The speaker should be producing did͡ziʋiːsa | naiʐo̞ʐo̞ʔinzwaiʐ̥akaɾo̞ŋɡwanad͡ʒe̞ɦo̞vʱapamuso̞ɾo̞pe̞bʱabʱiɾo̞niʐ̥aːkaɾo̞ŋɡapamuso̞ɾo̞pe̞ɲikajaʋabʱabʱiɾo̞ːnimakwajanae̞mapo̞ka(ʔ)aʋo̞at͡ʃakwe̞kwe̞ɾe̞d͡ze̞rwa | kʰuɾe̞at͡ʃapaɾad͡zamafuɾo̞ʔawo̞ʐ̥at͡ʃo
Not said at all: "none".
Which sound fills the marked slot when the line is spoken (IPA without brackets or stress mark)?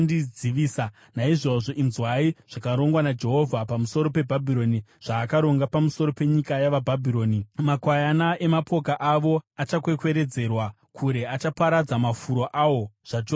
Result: ʔ